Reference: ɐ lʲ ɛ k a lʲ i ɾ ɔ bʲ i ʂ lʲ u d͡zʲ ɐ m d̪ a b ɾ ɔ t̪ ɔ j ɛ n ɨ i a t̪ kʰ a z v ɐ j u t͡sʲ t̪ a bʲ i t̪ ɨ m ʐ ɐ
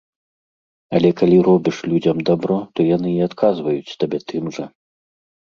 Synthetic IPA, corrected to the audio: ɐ lʲ ɛ k a lʲ i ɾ ɔ bʲ i ʂ lʲ u d͡zʲ ɐ m d̪ a b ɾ ɔ t̪ ɔ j a n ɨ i a t̪ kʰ a z v ɐ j u t͡sʲ t̪ a bʲ ɛ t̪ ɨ m ʐ ɐ